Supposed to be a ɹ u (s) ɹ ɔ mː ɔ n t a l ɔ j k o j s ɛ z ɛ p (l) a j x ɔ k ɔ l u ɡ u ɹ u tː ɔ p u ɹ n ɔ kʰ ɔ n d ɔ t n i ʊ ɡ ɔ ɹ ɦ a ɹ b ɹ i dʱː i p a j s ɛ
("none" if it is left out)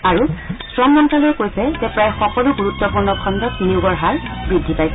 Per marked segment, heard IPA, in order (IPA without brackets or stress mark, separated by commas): s, ɹ